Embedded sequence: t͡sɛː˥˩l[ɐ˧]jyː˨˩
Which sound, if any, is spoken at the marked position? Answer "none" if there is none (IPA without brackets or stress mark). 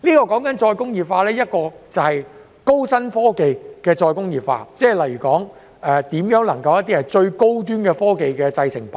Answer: ɐ˨˩